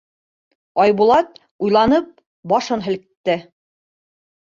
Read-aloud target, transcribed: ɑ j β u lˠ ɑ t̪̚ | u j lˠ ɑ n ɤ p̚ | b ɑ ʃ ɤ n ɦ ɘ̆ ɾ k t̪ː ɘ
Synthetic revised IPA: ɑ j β u lˠ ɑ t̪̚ | u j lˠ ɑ n ɤ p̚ | b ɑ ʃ ɤ n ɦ ɘ̆ l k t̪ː ɘ